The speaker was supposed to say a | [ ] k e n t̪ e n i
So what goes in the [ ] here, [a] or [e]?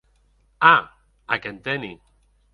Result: a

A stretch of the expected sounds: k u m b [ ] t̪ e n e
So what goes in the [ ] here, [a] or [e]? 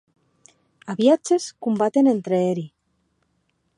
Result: a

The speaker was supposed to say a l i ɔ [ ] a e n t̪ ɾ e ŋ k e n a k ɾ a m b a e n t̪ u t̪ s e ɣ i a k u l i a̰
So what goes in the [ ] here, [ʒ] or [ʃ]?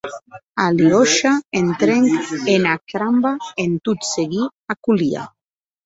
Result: ʃ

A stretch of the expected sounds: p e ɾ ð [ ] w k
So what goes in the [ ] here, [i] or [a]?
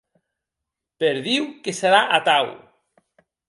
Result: i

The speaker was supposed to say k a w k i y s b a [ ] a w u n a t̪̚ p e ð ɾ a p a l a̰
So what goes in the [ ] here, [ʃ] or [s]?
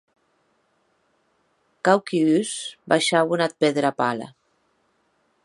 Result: ʃ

